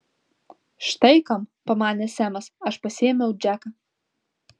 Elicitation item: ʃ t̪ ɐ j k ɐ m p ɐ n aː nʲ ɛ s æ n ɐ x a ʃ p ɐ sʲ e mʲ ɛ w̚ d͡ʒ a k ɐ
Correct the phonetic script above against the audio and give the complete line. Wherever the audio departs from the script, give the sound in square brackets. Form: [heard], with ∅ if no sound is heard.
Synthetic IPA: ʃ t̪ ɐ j k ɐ m p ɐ [m] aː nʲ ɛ s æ [m] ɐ [s] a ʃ p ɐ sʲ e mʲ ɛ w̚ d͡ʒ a k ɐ